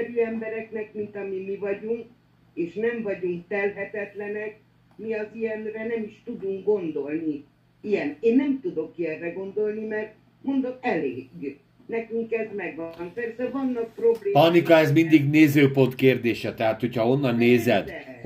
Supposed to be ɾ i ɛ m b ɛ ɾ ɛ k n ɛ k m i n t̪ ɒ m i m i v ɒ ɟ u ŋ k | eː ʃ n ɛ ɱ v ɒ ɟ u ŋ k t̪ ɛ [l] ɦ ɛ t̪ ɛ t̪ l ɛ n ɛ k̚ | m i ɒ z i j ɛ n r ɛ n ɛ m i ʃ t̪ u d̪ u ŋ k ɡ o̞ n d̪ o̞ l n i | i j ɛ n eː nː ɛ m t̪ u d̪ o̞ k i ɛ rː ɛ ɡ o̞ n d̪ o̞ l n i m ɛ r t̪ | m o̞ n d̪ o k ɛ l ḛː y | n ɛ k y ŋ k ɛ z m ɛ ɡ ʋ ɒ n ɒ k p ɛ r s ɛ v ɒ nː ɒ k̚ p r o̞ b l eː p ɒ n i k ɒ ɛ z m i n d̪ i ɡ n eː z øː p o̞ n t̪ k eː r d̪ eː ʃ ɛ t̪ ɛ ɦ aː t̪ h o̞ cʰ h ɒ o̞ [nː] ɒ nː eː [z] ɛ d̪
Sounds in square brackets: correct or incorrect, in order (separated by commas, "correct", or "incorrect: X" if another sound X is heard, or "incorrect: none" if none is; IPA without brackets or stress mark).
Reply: correct, correct, correct